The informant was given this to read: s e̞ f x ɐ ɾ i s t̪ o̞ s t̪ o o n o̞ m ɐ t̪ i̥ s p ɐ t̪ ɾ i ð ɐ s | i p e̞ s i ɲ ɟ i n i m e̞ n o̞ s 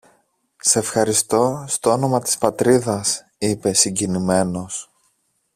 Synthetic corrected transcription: s e̞ f x ɐ ɾ i s t̪ o̞ s t̪ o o n o̞ m ɐ t̪ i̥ s p ɐ t̪ ɾ i ð ɐ s | i p e̞ s i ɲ ɟ i n i m e̞ n o̞ s

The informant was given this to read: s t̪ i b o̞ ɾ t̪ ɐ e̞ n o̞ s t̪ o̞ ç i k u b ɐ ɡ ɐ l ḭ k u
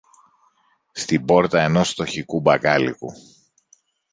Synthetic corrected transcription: s t̪ i b o̞ ɾ t̪ ɐ e̞ n o̞ s t̪ o̞ ç i k u b ɐ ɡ ɐ l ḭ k u

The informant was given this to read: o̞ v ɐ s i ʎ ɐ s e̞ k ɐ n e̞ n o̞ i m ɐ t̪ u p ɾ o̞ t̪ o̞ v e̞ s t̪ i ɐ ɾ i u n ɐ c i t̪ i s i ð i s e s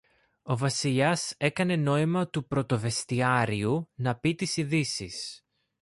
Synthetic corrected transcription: o̞ v ɐ s i ʎ ɐ s e̞ k ɐ n e̞ n o̞ i m ɐ t̪ u p ɾ o̞ t̪ o̞ v e̞ s t̪ i ɐ ɾ i u n ɐ p i t̪ i s i ð i s i s

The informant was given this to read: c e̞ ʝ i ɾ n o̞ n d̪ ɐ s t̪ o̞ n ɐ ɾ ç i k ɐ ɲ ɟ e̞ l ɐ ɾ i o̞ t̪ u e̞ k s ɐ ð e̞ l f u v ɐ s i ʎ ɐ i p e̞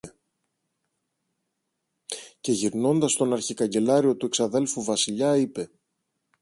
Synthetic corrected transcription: c e̞ ʝ i ɾ n o̞ n d̪ ɐ s t̪ o̞ n ɐ ɾ ç i k ɐ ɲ ɟ e̞ l ɐ ɾ i o̞ t̪ u e̞ k s ɐ ð e̞ l f u v ɐ s i ʎ ɐ i p e̞

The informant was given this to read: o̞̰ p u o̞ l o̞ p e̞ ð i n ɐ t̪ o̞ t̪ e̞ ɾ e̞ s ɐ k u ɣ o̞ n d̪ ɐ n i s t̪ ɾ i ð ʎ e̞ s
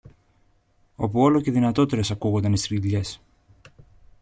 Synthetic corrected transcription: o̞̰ p u o̞ l o̞ c e̞ ð i n ɐ t̪ o̞ t̪ e̞ ɾ e̞ s ɐ k u ɣ o̞ n d̪ ɐ n i s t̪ ɾ i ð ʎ e̞ s

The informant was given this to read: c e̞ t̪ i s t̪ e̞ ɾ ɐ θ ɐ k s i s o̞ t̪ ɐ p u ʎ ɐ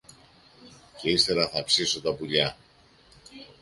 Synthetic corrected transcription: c e̞ i s t̪ e̞ ɾ ɐ θ ɐ p s i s o̞ t̪ ɐ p u ʎ ɐ

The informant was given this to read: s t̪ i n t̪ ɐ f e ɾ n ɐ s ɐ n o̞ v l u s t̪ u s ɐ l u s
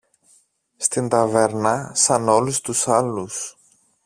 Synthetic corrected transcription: s t̪ i n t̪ ɐ v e ɾ n ɐ s ɐ n o̞ l u s t̪ u s ɐ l u s

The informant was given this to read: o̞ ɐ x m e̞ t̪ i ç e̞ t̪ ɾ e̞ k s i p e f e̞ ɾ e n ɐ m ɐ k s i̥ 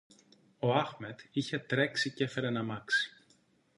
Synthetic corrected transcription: o̞ ɐ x m e̞ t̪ i ç e̞ t̪ ɾ e̞ k s i c e f e̞ ɾ e n ɐ m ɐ k s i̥

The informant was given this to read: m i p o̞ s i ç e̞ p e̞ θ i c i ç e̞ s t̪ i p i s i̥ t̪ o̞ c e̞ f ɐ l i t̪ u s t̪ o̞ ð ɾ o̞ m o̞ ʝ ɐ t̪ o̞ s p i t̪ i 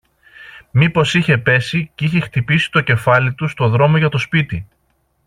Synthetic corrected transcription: m i p o̞ s i ç e̞ p e̞ s i c i ç e̞ x t̪ i p i s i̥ t̪ o̞ c e̞ f ɐ l i t̪ u s t̪ o̞ ð ɾ o̞ m o̞ ʝ ɐ t̪ o̞ s p i t̪ i

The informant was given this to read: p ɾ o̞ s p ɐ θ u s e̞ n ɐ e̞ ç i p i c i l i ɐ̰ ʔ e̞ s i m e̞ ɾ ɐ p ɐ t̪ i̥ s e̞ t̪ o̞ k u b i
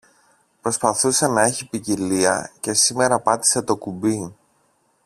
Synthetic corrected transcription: p ɾ o̞ s p ɐ θ u s e̞ n ɐ e̞ ç i p i c i l i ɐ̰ c e̞ s i m e̞ ɾ ɐ p ɐ t̪ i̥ s e̞ t̪ o̞ k u b i

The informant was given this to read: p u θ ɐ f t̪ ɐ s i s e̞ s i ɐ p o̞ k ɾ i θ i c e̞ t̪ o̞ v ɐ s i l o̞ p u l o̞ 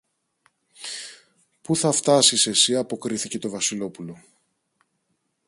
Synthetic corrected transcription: p u θ ɐ f t̪ ɐ s i s e̞ s i ɐ p o̞ k ɾ i θ i c e̞ t̪ o̞ v ɐ s i l o̞ p u l o̞

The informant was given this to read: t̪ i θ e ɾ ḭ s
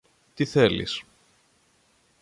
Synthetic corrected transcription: t̪ i θ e l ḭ s

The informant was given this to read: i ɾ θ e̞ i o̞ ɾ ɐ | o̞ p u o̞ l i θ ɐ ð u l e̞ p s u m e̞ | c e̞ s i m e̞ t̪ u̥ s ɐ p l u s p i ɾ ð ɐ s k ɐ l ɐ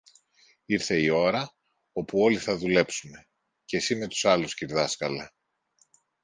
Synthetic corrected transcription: i ɾ θ e̞ i o̞ ɾ ɐ | o̞ p u o̞ l i θ ɐ ð u l e̞ p s u m e̞ | c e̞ s i m e̞ t̪ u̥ s ɐ l u s c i ɾ ð ɐ s k ɐ l ɐ

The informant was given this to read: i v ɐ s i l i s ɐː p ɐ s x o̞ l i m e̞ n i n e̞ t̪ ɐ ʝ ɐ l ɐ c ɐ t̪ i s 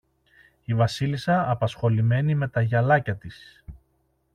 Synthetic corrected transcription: i v ɐ s i l i s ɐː p ɐ s x o̞ l i m e̞ n i m e̞ t̪ ɐ ʝ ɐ l ɐ c ɐ t̪ i s

